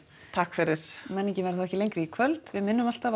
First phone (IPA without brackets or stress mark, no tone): t̪ʰ